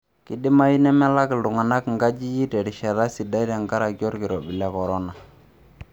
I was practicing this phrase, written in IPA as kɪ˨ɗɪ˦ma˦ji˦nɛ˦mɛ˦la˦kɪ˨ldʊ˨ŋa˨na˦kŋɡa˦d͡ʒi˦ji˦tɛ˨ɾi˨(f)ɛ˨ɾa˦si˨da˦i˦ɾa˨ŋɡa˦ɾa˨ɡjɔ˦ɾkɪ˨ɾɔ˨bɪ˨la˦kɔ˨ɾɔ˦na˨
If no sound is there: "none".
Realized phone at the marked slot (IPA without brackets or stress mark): ʃ